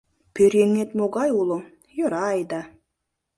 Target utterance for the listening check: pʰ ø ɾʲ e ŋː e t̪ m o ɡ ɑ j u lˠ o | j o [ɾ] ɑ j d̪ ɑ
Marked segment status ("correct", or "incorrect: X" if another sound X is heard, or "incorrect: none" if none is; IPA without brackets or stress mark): correct